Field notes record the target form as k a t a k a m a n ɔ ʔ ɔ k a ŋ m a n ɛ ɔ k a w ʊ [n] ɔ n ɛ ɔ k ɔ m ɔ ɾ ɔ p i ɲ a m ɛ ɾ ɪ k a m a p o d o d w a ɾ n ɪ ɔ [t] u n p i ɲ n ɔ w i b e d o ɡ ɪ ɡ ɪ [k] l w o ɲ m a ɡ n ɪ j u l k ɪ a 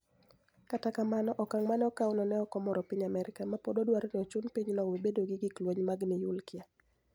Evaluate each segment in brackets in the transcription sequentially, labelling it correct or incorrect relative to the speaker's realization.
correct, incorrect: t͡ʃ, correct

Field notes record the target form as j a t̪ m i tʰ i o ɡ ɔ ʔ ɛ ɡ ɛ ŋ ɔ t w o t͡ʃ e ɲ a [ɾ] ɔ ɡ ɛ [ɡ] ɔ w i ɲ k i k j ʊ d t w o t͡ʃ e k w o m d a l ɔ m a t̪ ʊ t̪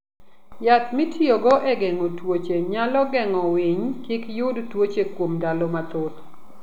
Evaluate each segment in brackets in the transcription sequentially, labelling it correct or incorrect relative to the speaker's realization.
incorrect: l, incorrect: ŋ

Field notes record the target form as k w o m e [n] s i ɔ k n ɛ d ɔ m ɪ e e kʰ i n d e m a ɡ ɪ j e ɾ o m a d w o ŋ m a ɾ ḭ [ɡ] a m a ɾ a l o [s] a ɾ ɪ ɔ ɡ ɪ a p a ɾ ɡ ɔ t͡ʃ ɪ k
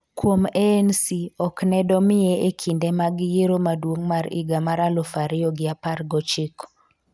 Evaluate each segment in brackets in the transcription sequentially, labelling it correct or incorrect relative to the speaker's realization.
correct, correct, incorrect: f

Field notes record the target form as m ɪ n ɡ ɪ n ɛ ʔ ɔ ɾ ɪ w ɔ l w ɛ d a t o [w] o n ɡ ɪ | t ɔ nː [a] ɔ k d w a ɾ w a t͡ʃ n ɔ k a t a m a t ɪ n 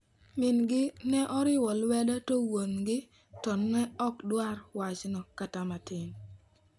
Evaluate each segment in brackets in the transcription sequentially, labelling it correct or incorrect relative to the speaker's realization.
correct, incorrect: ɛ

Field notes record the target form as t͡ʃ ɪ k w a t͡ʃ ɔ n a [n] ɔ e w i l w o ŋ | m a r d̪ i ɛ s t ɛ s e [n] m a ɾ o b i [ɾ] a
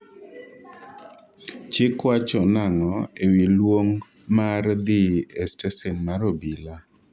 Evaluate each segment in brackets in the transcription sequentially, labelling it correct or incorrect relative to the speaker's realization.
incorrect: ŋ, correct, incorrect: l

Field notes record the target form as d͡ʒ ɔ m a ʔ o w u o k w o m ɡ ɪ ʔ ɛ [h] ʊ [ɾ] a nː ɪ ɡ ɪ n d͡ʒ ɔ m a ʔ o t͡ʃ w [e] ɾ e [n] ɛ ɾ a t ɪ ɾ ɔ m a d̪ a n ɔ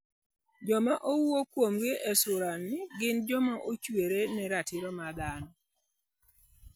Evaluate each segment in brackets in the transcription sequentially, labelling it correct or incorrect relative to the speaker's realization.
incorrect: s, correct, correct, correct

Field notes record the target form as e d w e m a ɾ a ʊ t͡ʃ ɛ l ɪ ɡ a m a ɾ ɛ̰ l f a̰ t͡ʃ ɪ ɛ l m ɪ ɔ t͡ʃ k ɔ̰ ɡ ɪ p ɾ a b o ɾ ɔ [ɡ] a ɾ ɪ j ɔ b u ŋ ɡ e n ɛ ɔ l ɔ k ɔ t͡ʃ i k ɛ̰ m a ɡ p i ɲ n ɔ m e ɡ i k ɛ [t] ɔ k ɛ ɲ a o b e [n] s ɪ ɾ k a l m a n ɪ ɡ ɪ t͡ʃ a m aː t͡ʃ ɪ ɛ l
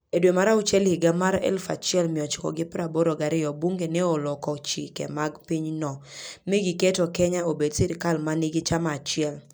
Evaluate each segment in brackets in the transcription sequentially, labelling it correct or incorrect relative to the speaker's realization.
correct, correct, incorrect: d

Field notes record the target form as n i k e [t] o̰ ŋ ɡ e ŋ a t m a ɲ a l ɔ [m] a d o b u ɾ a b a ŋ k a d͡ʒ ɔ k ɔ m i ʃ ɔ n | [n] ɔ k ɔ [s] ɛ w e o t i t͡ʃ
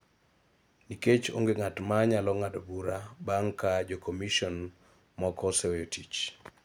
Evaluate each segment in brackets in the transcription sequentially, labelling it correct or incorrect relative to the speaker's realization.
incorrect: t͡ʃ, incorrect: ŋ, incorrect: m, correct

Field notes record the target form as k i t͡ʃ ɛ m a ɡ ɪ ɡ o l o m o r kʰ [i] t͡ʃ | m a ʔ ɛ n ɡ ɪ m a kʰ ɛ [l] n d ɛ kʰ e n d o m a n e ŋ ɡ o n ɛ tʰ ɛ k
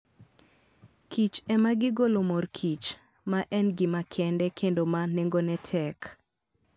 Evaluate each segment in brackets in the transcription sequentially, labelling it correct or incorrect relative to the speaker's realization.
correct, incorrect: none

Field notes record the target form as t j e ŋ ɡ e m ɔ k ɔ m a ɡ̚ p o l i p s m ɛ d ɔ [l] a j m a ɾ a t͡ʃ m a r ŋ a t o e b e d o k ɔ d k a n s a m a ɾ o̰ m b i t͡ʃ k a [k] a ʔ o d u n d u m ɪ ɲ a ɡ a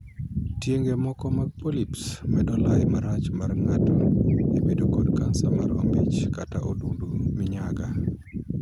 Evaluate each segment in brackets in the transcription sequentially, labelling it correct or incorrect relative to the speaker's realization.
correct, incorrect: t

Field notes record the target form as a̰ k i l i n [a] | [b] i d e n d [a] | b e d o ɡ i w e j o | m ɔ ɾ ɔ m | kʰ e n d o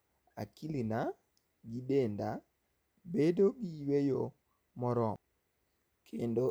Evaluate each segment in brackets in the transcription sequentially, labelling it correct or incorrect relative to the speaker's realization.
correct, incorrect: ɡ, correct

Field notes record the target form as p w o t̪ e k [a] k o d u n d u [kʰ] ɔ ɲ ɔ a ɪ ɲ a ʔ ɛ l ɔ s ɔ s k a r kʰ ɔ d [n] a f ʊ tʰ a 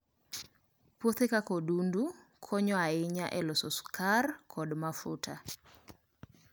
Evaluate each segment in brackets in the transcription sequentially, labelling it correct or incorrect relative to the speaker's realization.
correct, correct, incorrect: m

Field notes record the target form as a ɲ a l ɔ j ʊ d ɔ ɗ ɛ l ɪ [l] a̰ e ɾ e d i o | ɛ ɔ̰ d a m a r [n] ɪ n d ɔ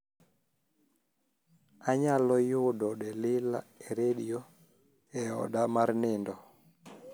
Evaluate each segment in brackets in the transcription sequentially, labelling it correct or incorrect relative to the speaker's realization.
correct, correct

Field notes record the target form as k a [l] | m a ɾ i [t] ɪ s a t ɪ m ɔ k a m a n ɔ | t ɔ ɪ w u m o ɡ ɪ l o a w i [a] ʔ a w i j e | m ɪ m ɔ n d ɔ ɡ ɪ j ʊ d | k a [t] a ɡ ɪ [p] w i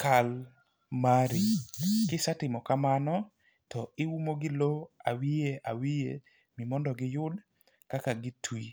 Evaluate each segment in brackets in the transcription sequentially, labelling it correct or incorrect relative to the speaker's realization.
correct, incorrect: k, incorrect: e, incorrect: k, incorrect: t

